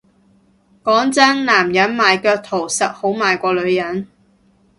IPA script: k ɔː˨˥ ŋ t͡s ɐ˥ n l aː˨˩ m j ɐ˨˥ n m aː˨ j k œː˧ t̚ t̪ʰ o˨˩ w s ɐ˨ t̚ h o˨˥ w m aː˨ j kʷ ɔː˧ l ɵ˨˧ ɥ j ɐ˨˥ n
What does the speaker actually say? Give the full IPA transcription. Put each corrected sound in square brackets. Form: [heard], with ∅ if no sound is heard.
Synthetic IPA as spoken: k ɔː˨˥ ŋ t͡s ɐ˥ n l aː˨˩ m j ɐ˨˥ n m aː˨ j k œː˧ [k̚] t̪ʰ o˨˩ w s ɐ˨ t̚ h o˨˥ w m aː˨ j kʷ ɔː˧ l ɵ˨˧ ɥ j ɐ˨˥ n